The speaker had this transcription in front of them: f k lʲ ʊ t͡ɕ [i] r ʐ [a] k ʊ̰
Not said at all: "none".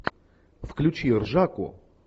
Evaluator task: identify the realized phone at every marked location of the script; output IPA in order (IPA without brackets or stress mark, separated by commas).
i, a